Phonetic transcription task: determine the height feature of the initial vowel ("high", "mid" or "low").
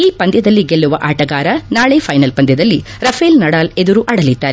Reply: high